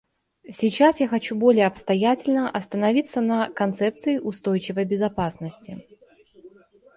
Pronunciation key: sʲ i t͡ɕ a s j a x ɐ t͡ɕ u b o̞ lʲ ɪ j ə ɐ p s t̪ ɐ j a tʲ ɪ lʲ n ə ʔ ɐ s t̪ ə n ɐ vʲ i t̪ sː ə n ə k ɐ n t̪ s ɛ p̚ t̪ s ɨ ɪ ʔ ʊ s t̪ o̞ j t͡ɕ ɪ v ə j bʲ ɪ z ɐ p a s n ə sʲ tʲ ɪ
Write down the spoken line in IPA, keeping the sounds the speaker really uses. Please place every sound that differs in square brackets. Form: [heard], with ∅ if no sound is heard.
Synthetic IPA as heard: sʲ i t͡ɕ a s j a x ɐ t͡ɕ u b o̞ lʲ ɪ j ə ɐ p s t̪ ɐ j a tʲ ɪ lʲ n ə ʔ ɐ s t̪ ə n ɐ vʲ i t̪ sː ə n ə k ɐ n t̪ s ɛ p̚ t̪ s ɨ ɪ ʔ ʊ s t̪ o̞ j t͡ɕ ɪ v ə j bʲ ɪ z ɐ p a s n ə sʲ tʲ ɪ